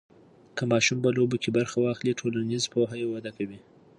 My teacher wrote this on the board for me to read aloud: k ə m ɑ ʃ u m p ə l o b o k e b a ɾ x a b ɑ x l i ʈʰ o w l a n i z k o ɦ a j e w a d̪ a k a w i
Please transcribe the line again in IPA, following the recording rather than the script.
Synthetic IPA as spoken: k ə m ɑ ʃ u m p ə l o b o k e b a ɾ x a w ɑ x l i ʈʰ o l a n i z p o ɦ a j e w a d̪ a k a w i